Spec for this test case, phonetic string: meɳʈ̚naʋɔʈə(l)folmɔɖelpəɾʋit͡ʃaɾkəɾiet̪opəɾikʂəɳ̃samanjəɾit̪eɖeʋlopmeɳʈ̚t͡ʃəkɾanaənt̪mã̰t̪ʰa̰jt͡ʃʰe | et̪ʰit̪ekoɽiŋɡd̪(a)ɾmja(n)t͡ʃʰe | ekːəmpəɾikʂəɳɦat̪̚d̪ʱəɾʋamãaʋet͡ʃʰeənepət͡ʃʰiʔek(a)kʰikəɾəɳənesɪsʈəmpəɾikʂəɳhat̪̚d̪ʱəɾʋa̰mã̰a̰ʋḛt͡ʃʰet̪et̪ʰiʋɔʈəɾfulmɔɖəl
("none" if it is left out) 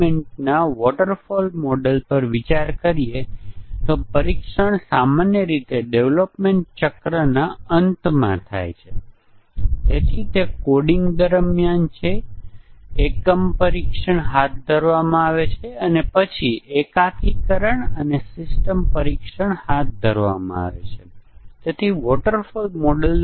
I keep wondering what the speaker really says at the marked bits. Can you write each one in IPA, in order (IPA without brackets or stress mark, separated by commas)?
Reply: ɾ, ə, n, a